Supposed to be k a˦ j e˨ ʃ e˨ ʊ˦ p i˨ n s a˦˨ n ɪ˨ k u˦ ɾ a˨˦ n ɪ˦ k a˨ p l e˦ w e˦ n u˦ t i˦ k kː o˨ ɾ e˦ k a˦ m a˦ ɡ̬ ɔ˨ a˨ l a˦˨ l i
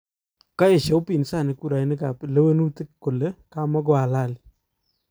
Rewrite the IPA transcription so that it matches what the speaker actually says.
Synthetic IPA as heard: k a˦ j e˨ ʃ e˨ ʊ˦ p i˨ n s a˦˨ n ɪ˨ k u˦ ɾ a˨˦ n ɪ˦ k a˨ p l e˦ w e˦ n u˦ t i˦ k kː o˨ l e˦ k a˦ m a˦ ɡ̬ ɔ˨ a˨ l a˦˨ l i